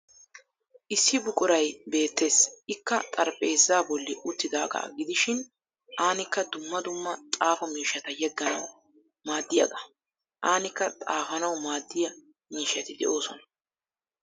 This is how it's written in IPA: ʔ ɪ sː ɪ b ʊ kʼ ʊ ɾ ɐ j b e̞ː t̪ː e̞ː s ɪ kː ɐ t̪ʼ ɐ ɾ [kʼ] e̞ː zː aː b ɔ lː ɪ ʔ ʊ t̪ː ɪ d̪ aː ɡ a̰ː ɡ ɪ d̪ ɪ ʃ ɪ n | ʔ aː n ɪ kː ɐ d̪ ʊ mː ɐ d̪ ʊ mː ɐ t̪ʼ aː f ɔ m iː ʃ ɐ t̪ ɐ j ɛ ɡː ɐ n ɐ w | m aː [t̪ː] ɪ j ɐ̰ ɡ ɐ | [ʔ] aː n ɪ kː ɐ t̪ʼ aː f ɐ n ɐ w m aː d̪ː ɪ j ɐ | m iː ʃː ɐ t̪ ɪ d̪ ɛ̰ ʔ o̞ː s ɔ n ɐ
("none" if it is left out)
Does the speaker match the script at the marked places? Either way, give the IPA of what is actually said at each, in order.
pʼ, d̪ː, ʔ

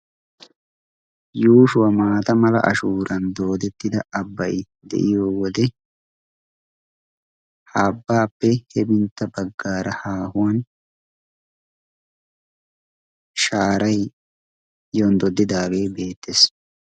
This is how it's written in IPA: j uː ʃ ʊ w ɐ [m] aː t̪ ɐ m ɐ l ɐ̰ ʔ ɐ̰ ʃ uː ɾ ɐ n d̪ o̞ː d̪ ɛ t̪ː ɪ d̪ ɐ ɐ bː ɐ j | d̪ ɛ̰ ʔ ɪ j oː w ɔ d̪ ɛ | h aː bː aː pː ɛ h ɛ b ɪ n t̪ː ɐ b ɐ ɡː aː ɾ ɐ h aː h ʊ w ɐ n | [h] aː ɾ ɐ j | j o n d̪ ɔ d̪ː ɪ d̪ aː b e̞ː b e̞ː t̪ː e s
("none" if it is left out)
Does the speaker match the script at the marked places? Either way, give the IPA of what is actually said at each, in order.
m, ʃ

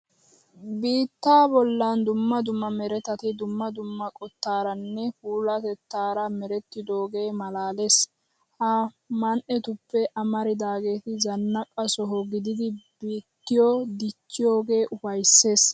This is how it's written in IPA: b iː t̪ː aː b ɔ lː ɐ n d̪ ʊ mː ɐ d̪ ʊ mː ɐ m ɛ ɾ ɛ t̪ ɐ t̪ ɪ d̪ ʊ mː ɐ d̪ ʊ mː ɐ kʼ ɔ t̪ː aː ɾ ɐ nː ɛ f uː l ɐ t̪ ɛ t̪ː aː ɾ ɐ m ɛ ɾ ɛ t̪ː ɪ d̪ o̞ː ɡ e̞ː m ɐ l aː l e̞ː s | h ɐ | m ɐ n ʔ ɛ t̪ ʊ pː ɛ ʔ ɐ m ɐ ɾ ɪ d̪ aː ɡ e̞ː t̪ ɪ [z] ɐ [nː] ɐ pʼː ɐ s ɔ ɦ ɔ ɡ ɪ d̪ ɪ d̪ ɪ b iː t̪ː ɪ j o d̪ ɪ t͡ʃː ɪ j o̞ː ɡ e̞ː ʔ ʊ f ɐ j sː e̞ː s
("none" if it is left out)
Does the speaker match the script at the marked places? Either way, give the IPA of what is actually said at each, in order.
z, nː

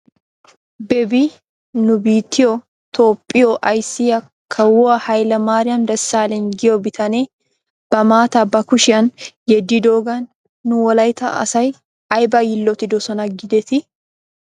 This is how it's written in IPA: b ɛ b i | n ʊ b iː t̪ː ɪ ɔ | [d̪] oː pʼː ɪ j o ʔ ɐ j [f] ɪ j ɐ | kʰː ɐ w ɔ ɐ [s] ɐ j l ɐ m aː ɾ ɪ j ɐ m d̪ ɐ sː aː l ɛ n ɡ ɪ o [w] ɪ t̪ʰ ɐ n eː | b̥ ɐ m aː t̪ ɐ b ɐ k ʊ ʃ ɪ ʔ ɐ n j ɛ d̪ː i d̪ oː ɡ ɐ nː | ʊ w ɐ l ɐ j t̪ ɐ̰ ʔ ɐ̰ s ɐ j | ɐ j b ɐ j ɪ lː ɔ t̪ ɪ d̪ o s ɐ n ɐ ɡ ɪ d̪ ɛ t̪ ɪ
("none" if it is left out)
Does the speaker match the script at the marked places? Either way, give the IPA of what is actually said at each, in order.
t̪, s, h, b

